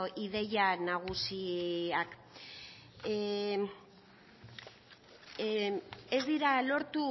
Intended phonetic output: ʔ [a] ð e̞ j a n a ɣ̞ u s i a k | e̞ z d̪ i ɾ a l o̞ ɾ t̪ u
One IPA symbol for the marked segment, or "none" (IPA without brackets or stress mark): i